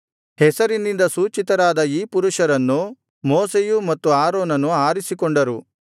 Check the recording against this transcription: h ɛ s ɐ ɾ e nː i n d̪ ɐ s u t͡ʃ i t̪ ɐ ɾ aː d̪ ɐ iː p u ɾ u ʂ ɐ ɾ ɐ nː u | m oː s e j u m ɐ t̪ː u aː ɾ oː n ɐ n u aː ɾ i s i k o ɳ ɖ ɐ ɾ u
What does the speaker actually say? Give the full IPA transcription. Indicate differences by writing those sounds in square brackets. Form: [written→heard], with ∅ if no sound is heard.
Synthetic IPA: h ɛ s ɐ ɾ [e→i] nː i n d̪ ɐ s [u→uː] t͡ʃ i t̪ ɐ ɾ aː d̪ ɐ iː p u ɾ u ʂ ɐ ɾ ɐ nː u | m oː s e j u m ɐ t̪ː u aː ɾ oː n ɐ n u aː ɾ i s i k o ɳ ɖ ɐ ɾ u

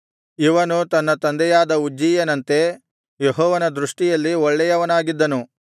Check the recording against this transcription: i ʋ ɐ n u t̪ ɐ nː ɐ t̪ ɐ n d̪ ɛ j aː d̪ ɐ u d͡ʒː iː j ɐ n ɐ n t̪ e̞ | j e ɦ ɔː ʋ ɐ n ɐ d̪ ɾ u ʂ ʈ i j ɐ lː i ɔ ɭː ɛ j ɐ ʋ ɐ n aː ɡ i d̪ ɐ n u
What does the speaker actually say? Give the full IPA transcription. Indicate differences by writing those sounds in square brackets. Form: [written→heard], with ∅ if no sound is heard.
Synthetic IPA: i ʋ ɐ n u t̪ ɐ nː ɐ t̪ ɐ n d̪ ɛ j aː d̪ ɐ u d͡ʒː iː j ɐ n ɐ n t̪ e̞ | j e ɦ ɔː ʋ ɐ n ɐ d̪ ɾ u ʂ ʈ i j ɐ lː i ɔ ɭː ɛ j ɐ ʋ ɐ n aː ɡ i [d̪→d̪ː] ɐ n u

